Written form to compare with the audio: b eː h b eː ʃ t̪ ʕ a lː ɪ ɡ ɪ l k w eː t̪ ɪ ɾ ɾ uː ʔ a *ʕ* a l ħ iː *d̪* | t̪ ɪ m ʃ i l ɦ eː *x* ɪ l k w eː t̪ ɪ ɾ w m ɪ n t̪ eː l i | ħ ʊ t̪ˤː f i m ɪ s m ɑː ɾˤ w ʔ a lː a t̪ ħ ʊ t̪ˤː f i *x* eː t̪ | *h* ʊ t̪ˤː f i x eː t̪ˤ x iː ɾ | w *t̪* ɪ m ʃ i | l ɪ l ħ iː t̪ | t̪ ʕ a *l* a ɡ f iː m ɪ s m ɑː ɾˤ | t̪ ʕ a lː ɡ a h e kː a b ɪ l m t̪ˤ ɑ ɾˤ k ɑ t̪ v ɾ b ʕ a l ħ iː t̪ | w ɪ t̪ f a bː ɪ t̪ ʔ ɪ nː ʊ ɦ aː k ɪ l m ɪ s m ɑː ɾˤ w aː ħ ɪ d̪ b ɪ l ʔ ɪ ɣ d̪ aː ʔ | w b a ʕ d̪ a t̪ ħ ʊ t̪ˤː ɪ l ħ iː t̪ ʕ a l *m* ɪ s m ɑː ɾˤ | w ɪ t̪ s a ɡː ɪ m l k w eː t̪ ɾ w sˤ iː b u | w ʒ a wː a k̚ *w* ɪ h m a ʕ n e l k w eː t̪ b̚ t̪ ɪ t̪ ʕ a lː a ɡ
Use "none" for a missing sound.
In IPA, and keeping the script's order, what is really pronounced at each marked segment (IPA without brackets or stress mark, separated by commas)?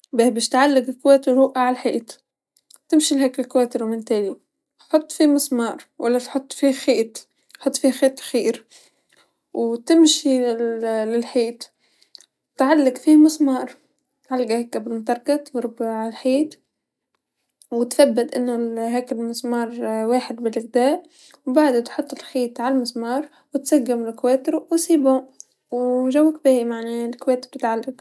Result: ʕ, t̪, k, x, ħ, t̪, lː, m, b